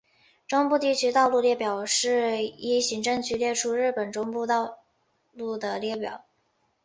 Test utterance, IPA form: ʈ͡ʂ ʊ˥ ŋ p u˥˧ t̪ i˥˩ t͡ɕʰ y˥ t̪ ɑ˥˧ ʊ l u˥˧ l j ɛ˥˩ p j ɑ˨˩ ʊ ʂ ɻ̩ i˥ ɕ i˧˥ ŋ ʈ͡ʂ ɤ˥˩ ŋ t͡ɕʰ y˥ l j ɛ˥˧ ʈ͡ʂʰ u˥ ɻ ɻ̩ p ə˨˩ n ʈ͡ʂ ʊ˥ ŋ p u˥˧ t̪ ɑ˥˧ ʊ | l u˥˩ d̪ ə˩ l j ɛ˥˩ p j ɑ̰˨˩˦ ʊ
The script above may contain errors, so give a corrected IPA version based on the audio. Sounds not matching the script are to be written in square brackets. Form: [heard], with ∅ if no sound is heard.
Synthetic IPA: ʈ͡ʂ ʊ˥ ŋ p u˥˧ t̪ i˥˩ t͡ɕʰ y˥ t̪ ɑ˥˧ ʊ l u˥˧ l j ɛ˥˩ p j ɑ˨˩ ʊ ʂ ɻ̩ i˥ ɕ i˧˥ ŋ ʈ͡ʂ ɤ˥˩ ŋ t͡ɕʰ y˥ l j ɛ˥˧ ʈ͡ʂʰ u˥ ɻ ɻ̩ p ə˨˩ n ʈ͡ʂ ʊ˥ ŋ p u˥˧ t̪ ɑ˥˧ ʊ | l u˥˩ d̪ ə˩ l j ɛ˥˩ p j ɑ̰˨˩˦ ʊ